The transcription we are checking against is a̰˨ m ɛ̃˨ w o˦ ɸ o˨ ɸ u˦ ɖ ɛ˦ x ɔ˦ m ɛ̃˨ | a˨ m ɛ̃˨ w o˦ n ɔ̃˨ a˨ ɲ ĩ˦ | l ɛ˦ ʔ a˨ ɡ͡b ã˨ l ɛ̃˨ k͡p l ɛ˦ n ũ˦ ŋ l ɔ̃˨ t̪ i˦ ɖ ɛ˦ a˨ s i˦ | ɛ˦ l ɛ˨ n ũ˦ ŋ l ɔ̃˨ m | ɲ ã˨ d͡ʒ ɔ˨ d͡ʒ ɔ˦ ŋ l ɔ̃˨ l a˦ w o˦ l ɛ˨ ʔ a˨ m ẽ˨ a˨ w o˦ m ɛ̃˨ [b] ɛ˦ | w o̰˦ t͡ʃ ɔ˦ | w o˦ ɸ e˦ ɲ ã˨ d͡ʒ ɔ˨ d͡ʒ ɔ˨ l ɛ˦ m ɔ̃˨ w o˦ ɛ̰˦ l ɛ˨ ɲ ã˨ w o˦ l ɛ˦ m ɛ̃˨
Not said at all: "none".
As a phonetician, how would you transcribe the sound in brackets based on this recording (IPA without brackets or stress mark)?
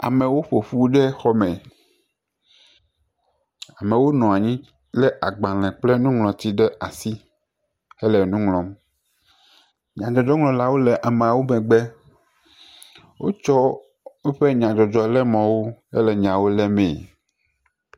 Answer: ɡ͡b